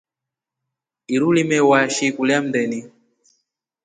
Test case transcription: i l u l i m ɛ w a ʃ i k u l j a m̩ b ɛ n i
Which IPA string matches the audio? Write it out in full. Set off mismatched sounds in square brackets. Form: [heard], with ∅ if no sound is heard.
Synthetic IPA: i [ɾ] u l i m ɛ w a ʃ i k u l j a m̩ [d] ɛ n i

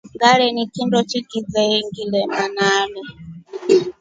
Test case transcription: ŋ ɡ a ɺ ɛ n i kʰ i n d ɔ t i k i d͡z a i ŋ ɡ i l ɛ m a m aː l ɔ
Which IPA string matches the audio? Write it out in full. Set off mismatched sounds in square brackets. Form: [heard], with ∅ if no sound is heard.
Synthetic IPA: ŋ ɡ a ɺ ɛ n i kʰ i n d ɔ [t͡ʃ] i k i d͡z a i ŋ ɡ i l ɛ m a [n] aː l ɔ

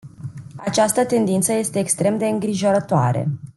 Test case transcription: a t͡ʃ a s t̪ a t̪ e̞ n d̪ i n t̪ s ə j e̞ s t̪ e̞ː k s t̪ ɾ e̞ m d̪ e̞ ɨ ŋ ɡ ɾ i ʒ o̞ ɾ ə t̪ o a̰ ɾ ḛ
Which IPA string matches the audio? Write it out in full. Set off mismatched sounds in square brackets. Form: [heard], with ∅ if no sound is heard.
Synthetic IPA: a t͡ʃ a s t̪ [ə] t̪ e̞ n d̪ i n t̪ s ə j e̞ s t̪ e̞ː k s t̪ ɾ e̞ m d̪ e̞ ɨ ŋ ɡ ɾ i ʒ o̞ ɾ ə t̪ o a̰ ɾ ḛ

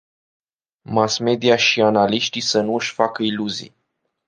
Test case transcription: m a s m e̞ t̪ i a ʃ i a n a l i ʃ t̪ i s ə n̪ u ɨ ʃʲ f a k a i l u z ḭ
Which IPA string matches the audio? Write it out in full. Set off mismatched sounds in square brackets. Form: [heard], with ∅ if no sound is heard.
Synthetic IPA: m a s m e̞ [d̪] i a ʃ i a n a l i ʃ t̪ i s ə n̪ u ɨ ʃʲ f a k [ə] i l u z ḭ

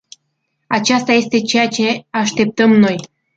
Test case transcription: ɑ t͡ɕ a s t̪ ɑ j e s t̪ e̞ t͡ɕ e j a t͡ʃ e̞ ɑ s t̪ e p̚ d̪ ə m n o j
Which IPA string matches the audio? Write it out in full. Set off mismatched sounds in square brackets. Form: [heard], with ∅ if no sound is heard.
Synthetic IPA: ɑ t͡ɕ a s t̪ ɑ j e s t̪ e̞ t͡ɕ e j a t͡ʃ e̞ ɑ [ʃ] t̪ e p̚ [t̪] ə m n o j

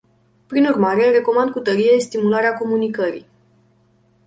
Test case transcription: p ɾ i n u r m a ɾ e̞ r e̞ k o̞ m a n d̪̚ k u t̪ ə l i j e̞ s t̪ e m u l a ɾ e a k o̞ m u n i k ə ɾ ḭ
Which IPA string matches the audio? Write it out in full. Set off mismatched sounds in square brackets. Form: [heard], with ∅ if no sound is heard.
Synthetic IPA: p ɾ i n u r m a ɾ e̞ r e̞ k o̞ m a n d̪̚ k u t̪ ə [ɾ] i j e̞ s t̪ [i] m u l a ɾ e a k o̞ m u n i k ə ɾ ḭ

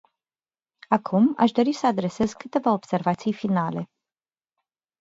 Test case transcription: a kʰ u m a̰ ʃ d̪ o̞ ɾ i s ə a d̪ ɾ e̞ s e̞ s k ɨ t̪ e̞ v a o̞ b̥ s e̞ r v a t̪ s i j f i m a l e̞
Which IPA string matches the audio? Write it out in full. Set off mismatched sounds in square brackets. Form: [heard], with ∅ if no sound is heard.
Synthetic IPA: a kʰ u m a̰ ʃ d̪ o̞ ɾ i s ə a d̪ ɾ e̞ s e̞ [z] k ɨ t̪ e̞ v a o̞ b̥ s e̞ r v a t̪ s i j f i [n] a l e̞

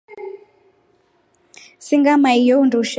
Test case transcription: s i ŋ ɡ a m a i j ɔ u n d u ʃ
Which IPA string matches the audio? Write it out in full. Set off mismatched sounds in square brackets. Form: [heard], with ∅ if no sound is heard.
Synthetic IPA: s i ŋ ɡ a m a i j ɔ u n d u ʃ

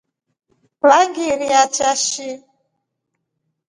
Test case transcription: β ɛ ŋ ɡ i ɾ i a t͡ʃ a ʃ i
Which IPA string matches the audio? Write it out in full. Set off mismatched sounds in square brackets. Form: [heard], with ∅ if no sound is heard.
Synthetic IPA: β [a] ŋ ɡ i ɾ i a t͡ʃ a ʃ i

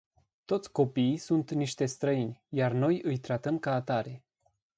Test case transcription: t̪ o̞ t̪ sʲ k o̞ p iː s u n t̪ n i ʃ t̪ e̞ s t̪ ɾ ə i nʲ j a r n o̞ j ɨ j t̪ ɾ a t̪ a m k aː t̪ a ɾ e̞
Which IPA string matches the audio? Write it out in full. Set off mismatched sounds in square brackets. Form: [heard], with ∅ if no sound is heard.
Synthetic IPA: t̪ o̞ t̪ sʲ k o̞ p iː s u n t̪ n i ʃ t̪ e̞ s t̪ ɾ ə i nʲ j a r n o̞ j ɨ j t̪ ɾ a t̪ [ə] m k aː t̪ a ɾ e̞

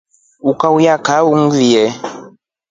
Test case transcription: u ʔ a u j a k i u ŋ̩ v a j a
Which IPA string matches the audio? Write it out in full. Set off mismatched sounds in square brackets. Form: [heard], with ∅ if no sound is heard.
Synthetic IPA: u [k] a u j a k [a] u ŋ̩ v [i] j [ɛ]

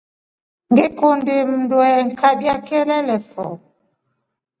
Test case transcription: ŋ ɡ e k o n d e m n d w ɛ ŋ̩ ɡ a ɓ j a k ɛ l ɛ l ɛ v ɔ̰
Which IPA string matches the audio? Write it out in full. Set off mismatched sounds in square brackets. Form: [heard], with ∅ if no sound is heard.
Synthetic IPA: ŋ ɡ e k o n d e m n d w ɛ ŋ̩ [k] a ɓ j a k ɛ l ɛ l ɛ [f] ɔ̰

